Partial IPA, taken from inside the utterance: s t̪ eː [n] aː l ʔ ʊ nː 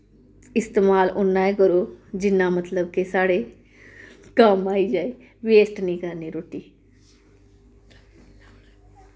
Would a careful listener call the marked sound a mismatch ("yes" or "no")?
yes